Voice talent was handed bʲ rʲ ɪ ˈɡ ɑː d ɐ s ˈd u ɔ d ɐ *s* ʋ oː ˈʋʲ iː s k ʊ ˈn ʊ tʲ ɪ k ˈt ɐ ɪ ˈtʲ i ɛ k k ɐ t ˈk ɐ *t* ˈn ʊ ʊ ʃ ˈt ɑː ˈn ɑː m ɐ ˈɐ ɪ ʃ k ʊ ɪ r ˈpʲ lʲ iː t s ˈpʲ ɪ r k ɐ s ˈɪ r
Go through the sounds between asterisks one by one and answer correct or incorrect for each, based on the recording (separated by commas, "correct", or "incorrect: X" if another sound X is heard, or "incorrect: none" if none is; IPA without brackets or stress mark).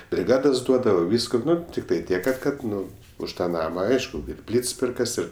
incorrect: none, correct